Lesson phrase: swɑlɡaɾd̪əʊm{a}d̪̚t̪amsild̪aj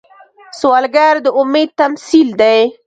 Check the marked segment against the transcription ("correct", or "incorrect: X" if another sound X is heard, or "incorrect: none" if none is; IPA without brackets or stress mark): incorrect: e